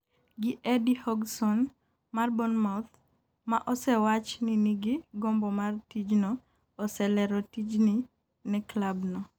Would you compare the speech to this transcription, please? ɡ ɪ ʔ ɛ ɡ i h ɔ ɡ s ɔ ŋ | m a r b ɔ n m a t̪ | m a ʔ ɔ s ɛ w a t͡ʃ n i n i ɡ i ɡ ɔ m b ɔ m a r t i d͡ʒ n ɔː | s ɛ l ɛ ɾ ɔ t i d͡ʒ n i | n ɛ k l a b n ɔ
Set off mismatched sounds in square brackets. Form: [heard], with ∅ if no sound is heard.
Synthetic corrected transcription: ɡ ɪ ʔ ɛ [d] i h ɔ ɡ s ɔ [n] | m a r b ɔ n m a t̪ | m a ʔ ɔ s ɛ w a t͡ʃ n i n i ɡ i ɡ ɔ m b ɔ m a r t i d͡ʒ n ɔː | s ɛ l ɛ ɾ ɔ t i d͡ʒ n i | n ɛ k l a b n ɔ